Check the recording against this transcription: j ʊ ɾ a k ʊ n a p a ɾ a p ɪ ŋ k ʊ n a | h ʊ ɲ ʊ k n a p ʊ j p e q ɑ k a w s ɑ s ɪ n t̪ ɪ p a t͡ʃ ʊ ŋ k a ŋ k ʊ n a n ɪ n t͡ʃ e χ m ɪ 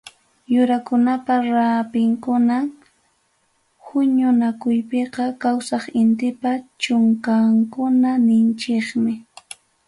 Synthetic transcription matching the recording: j ʊ ɾ a k ʊ n a p a ɾ a p ɪ ŋ k ʊ n a | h ʊ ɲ ʊ n a k ʊ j p e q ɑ k a w s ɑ χ ɪ n t̪ ɪ p a t͡ʃ ʊ ŋ k a ŋ k ʊ n a n ɪ n t͡ʃ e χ m ɪ